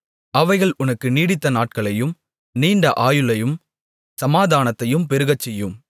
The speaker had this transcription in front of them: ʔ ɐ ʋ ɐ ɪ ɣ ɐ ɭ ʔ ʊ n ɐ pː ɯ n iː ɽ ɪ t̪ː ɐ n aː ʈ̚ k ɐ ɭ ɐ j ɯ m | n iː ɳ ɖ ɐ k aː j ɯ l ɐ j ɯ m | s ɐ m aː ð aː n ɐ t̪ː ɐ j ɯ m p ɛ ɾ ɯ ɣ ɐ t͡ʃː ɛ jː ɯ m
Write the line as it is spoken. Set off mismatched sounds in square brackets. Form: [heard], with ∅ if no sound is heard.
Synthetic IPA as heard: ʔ ɐ ʋ ɐ ɪ ɣ ɐ ɭ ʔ ʊ n ɐ [kː] ɯ n iː ɽ ɪ t̪ː ɐ n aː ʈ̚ k ɐ ɭ ɐ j ɯ m | n iː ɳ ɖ ɐ [ʔ] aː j ɯ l ɐ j ɯ m | s ɐ m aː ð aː n ɐ t̪ː ɐ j ɯ m p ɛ ɾ ɯ ɣ ɐ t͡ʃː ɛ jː ɯ m

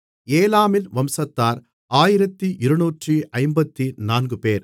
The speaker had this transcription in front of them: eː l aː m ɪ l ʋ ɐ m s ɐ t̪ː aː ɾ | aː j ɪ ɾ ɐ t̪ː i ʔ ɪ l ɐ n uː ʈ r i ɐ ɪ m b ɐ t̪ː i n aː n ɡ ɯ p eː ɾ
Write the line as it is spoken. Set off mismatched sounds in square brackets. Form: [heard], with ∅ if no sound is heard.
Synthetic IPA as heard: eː l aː m ɪ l ʋ ɐ m s ɐ t̪ː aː ɾ | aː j ɪ ɾ ɐ t̪ː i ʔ ɪ [ɾ] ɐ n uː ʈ r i ɐ ɪ m b ɐ t̪ː i n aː n ɡ ɯ p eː ɾ

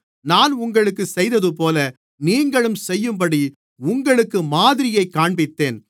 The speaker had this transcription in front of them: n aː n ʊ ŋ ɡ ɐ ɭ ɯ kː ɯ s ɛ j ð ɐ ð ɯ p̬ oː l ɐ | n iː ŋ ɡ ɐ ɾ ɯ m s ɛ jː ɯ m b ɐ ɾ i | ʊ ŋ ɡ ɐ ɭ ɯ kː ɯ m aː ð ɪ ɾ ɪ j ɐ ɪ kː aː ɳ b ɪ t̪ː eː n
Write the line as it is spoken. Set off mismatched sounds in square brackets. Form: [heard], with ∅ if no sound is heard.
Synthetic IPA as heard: n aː n ʊ ŋ ɡ ɐ ɭ ɯ kː ɯ s ɛ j ð ɐ ð ɯ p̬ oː l ɐ | n iː ŋ ɡ ɐ [ɭ] ɯ m s ɛ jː ɯ m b ɐ [ɽ] i | ʊ ŋ ɡ ɐ ɭ ɯ kː ɯ m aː ð ɪ ɾ ɪ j ɐ ɪ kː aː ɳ b ɪ t̪ː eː n

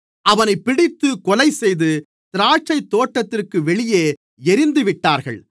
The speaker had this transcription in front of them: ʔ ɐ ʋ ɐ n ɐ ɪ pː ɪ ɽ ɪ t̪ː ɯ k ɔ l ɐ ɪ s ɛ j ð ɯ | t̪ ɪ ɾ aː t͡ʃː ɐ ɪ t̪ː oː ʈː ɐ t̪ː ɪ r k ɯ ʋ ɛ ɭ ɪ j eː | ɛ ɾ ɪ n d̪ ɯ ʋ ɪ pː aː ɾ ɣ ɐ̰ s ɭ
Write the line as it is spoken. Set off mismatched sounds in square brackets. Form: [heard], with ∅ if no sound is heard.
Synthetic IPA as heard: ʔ ɐ ʋ ɐ n ɐ ɪ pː ɪ ɽ ɪ t̪ː ɯ k ɔ l ɐ ɪ s ɛ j ð ɯ | t̪ ɪ ɾ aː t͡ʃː ɐ ɪ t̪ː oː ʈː ɐ t̪ː ɪ r k ɯ ʋ ɛ ɭ ɪ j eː | ɛ ɾ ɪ n d̪ ɯ ʋ ɪ [ʈː] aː ɾ ɣ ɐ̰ [∅] ɭ

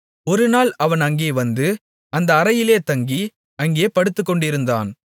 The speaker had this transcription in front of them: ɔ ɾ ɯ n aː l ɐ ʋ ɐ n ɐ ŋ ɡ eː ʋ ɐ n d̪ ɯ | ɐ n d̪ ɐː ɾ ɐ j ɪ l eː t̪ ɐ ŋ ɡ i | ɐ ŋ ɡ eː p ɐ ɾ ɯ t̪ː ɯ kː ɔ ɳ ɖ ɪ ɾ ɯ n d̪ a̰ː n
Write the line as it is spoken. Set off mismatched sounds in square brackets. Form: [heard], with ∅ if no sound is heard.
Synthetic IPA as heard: ɔ ɾ ɯ n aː l ɐ ʋ ɐ n ɐ ŋ ɡ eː ʋ ɐ n d̪ ɯ | ɐ n d̪ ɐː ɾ ɐ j ɪ l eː t̪ ɐ ŋ ɡ i | ɐ ŋ ɡ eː p ɐ [ɽ] ɯ t̪ː ɯ kː ɔ ɳ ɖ ɪ ɾ ɯ n d̪ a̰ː n

